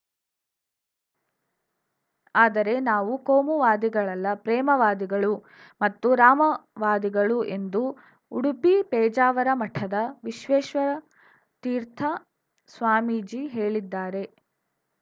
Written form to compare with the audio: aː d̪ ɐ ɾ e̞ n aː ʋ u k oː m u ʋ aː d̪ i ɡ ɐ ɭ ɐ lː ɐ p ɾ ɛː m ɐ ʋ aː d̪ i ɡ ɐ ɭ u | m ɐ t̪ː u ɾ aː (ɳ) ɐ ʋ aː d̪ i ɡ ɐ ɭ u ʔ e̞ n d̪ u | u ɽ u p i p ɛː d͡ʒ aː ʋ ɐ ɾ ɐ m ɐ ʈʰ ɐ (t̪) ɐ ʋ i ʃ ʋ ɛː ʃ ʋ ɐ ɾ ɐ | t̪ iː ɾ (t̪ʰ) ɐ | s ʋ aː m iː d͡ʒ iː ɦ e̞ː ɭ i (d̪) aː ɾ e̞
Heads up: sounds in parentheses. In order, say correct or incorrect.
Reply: incorrect, incorrect, correct, incorrect

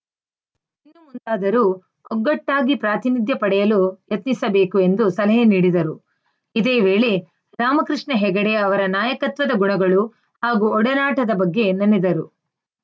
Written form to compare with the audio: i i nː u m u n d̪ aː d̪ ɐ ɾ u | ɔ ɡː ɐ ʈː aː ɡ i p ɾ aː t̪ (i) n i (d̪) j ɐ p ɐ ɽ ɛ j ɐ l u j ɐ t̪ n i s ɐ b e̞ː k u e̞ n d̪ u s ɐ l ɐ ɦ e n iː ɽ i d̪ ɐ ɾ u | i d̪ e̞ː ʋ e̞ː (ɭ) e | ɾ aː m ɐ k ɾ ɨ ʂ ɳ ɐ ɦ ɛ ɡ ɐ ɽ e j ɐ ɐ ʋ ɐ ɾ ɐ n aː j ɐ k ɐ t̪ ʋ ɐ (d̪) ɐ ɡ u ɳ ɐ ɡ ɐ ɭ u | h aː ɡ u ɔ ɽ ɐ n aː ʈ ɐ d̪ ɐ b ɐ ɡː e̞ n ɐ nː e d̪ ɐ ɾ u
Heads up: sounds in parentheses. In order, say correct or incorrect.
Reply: correct, correct, correct, correct

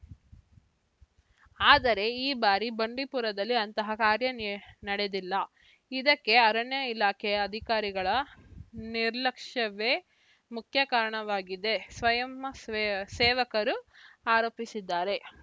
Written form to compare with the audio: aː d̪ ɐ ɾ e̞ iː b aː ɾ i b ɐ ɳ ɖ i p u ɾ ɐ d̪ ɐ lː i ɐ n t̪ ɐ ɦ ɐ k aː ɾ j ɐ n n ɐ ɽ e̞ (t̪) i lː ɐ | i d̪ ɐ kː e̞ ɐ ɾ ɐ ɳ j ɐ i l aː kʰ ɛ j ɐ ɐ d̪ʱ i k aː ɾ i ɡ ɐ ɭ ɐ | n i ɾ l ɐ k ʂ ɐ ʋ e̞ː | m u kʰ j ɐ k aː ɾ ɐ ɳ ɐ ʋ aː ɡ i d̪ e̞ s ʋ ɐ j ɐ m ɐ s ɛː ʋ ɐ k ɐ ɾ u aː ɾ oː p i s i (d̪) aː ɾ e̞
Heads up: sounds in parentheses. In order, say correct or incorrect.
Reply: incorrect, incorrect

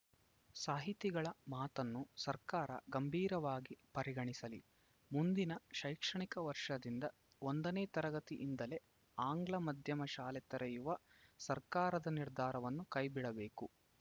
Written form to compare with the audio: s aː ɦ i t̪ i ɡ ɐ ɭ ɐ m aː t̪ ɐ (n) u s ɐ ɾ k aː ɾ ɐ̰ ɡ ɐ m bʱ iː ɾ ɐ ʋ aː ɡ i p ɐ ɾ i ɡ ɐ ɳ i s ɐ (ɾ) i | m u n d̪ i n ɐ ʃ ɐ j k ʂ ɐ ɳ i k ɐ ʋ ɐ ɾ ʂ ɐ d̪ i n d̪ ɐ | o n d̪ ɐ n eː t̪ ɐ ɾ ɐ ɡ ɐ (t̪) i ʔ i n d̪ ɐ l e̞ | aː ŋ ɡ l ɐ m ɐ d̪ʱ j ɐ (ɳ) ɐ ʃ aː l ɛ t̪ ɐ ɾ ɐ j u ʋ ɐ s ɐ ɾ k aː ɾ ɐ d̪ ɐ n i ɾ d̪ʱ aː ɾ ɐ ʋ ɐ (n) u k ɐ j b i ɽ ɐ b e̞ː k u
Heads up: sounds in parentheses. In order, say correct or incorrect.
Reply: incorrect, incorrect, correct, incorrect, incorrect

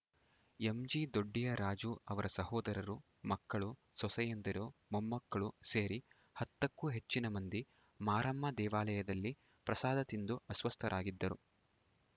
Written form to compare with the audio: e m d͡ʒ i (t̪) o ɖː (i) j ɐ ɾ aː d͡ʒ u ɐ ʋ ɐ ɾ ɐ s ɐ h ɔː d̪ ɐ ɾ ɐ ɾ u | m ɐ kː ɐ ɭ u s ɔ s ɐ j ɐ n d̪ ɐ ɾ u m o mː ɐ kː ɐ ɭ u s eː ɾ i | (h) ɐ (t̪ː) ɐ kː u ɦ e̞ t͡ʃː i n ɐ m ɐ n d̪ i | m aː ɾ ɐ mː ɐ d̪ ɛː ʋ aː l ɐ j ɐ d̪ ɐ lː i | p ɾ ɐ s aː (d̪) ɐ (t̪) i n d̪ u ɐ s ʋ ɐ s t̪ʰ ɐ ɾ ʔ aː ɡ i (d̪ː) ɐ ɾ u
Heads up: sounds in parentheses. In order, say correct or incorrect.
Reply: incorrect, correct, correct, correct, correct, correct, correct

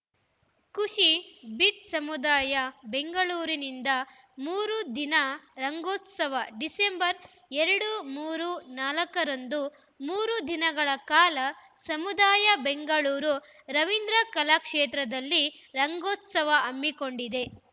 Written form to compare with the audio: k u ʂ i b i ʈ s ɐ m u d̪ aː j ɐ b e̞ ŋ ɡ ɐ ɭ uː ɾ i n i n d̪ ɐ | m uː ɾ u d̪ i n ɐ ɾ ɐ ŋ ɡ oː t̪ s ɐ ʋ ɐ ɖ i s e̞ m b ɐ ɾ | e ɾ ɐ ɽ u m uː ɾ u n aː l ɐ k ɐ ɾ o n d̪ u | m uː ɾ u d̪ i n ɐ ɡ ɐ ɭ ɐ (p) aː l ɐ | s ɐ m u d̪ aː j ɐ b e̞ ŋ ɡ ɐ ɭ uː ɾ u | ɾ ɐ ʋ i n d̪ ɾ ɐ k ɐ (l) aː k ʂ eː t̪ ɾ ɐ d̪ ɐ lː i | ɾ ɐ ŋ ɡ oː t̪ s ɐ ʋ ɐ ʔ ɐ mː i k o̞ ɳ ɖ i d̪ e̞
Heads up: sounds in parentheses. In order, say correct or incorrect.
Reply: incorrect, correct

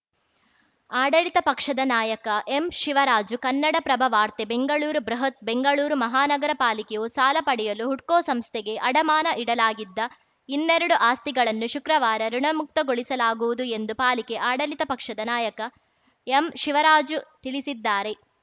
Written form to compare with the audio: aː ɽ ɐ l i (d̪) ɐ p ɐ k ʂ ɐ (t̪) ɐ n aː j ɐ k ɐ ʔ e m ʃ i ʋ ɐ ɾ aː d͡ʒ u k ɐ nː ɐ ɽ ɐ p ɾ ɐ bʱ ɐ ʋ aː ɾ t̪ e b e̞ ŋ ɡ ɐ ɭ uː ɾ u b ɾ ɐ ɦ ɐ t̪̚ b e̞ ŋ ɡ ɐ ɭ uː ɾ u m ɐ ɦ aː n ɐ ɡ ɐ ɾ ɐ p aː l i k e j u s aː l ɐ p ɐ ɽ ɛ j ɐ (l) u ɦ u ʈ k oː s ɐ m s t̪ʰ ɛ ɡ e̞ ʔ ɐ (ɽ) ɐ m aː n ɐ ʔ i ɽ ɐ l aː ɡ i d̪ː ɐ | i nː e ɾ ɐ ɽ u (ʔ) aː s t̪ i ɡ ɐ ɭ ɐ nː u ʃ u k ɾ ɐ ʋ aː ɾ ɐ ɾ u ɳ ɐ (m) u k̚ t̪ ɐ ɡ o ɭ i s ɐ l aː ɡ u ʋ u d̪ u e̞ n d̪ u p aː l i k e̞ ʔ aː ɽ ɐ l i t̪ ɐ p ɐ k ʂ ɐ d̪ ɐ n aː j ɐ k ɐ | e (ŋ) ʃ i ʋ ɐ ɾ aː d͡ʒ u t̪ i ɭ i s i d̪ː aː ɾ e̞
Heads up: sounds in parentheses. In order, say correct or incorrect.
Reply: incorrect, incorrect, correct, correct, correct, correct, incorrect

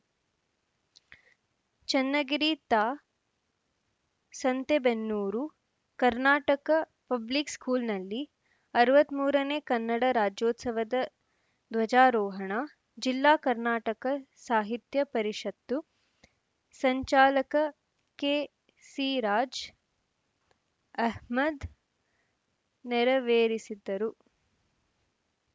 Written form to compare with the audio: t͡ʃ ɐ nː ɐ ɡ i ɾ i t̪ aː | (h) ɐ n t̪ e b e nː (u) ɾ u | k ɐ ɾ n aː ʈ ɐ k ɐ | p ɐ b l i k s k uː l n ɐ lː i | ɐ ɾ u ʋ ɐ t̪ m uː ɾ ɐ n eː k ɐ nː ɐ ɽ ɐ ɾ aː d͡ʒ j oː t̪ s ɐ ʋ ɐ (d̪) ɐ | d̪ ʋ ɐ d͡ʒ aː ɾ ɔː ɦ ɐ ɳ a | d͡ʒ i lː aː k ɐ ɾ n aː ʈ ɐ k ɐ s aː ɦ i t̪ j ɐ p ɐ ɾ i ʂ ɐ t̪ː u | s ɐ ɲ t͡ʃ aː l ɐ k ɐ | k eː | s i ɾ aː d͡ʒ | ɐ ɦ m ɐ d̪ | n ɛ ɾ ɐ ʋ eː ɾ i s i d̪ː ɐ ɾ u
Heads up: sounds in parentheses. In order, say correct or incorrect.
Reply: incorrect, incorrect, correct

